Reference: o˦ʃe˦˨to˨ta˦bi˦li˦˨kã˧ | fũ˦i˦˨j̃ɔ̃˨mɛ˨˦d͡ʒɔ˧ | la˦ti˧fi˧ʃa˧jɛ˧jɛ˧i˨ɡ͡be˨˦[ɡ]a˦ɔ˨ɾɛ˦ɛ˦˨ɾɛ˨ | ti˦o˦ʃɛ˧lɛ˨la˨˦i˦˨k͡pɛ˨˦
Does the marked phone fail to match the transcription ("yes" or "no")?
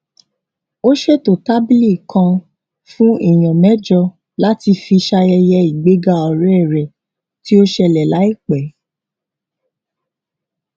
no